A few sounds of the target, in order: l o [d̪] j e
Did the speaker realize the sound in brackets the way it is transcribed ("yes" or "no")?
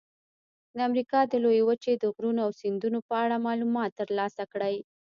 no